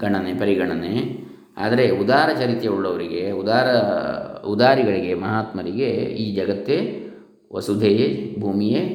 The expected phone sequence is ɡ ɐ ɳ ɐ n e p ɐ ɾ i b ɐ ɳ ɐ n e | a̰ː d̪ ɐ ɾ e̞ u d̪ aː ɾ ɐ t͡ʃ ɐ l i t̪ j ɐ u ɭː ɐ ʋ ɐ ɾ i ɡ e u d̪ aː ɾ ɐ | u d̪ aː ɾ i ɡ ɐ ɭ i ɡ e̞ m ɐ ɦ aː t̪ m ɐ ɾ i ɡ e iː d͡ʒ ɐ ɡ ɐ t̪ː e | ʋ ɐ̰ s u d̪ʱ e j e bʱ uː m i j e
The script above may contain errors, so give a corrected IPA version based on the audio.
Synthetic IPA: ɡ ɐ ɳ ɐ n e p ɐ ɾ i ɡ ɐ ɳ ɐ n e | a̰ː d̪ ɐ ɾ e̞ u d̪ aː ɾ ɐ t͡ʃ ɐ ɾ i t̪ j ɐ u ɭː ɐ ʋ ɐ ɾ i ɡ e u d̪ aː ɾ ɐ | u d̪ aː ɾ i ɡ ɐ ɭ i ɡ e̞ m ɐ ɦ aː t̪ m ɐ ɾ i ɡ e iː d͡ʒ ɐ ɡ ɐ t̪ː e | ʋ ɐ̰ s u d̪ʱ e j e bʱ uː m i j e